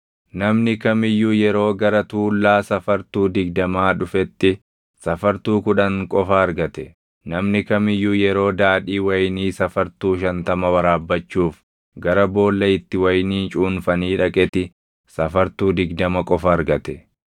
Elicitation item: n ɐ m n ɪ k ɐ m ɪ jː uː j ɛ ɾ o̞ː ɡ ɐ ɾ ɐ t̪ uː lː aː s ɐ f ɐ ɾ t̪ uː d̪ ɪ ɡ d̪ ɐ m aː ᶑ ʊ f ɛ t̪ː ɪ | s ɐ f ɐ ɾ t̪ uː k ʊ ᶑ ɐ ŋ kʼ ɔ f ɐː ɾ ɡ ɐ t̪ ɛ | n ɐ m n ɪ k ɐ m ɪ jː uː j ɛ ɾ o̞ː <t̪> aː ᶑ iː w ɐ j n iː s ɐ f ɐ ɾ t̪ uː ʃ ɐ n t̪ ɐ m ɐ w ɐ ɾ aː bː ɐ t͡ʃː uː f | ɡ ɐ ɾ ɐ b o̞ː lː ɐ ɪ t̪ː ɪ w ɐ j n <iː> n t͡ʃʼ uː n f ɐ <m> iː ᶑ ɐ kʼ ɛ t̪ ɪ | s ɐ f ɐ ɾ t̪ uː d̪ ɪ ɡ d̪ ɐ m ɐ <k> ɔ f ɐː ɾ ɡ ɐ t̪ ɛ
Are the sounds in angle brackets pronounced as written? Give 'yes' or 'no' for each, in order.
no, yes, no, no

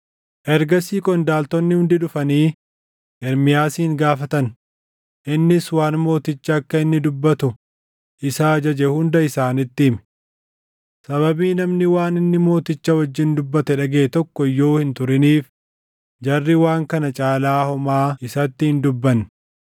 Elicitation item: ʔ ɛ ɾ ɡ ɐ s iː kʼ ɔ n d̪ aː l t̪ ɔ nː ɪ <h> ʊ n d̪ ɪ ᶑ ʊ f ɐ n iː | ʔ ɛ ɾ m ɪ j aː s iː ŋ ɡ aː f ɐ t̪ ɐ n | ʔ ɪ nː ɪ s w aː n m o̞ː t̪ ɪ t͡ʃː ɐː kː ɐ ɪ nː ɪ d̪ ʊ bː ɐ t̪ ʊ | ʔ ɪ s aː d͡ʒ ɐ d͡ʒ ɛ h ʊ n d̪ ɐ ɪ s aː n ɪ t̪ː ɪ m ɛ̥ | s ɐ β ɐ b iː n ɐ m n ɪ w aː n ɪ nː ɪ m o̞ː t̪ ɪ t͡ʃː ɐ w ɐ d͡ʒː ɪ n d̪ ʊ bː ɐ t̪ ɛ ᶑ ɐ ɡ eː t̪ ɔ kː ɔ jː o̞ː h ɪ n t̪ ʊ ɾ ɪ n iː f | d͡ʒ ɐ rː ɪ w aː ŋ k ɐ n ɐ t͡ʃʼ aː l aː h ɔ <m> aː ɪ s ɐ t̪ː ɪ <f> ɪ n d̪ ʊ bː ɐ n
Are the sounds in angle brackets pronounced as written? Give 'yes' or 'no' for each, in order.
yes, yes, no

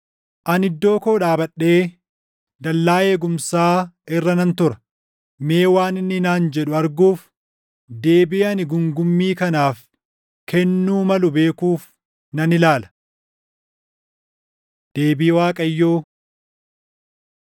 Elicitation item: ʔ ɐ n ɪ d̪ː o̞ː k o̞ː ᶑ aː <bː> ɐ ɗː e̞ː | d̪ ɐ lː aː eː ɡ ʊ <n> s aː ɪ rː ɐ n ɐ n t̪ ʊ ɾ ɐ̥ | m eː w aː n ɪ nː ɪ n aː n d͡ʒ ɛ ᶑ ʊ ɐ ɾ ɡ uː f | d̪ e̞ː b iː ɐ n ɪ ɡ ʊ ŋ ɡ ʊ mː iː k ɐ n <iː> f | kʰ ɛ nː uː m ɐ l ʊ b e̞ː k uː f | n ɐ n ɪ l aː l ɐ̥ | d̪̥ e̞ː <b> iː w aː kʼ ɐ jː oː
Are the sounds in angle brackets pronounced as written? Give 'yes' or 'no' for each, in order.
no, no, no, yes

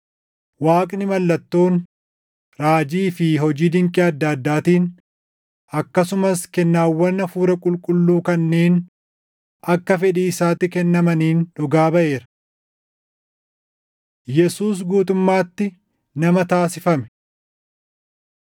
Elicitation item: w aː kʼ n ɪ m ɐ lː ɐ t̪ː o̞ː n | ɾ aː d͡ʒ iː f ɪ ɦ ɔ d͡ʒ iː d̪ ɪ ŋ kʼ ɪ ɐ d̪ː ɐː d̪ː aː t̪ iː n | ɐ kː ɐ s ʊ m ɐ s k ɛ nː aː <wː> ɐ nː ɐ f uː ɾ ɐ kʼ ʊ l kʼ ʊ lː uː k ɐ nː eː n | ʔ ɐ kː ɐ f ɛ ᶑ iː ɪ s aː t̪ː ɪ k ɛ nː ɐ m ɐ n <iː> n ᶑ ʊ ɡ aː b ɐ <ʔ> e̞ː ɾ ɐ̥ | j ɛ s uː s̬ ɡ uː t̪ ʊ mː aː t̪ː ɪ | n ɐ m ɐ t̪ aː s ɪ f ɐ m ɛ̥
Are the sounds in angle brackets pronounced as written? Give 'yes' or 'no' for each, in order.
yes, yes, yes

